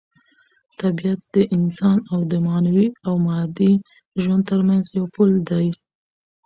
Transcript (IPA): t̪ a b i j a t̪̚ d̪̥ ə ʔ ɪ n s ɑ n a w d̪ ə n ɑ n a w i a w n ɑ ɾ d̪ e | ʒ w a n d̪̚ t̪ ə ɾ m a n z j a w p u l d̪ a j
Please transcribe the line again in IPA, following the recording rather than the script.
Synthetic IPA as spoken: t̪ a b i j a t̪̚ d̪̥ ə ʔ ɪ n s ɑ n a w d̪ ə m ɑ n a w i a w m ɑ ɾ d̪ i | ʒ w a n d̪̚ t̪ ə ɾ m a n z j a w p u l d̪ a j